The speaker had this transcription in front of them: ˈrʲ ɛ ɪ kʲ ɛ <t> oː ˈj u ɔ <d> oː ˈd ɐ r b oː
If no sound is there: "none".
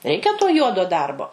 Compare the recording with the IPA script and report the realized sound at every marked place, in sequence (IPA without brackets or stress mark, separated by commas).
t, d